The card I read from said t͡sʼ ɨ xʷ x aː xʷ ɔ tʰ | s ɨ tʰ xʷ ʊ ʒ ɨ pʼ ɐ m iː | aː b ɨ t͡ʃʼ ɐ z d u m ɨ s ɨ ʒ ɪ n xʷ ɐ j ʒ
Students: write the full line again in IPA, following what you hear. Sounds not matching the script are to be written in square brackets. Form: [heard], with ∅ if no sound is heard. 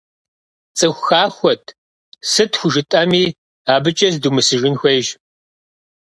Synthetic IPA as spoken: t͡sʼ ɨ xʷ x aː xʷ ɔ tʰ | s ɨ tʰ xʷ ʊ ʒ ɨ [tʼ] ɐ m iː | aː b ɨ t͡ʃʼ ɐ z d u m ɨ s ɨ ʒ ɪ n xʷ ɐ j ʒ